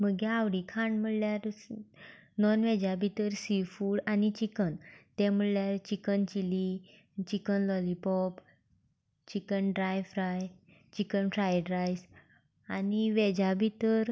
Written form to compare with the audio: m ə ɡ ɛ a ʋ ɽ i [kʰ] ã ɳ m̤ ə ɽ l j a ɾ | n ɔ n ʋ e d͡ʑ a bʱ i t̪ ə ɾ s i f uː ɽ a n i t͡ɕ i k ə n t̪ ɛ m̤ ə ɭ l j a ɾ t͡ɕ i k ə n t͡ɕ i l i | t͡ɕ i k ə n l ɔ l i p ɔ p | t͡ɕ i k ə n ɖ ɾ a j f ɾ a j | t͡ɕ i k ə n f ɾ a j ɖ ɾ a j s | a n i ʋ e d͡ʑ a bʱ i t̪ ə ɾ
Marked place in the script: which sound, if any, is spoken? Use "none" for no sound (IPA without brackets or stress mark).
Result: kʰ